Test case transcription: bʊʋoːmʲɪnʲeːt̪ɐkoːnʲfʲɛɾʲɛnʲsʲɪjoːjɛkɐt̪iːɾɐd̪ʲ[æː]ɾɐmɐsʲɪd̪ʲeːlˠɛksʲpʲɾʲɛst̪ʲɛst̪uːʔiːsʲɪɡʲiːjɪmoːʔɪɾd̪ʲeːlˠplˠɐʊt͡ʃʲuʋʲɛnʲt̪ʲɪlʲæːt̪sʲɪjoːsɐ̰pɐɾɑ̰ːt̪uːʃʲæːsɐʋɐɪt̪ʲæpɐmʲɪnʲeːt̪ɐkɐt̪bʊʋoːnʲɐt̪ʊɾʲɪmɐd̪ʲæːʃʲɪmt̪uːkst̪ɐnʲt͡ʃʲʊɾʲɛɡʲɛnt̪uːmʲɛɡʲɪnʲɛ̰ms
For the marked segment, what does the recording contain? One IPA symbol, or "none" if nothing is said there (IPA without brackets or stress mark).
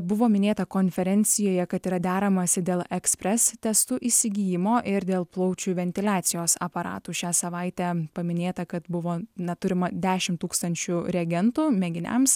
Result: æː